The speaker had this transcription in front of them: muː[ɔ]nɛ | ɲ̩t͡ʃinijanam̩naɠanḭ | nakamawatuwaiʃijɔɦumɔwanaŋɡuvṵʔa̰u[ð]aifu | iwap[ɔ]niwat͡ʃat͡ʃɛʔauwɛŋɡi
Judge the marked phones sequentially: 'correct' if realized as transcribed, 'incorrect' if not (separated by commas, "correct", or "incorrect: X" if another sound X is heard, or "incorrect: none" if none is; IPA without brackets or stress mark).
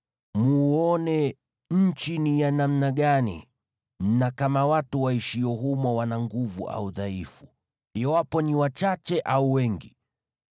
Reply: correct, correct, correct